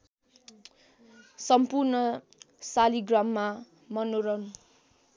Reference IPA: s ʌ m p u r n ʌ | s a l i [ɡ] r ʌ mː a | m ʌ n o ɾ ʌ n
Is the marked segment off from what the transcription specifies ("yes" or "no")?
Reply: no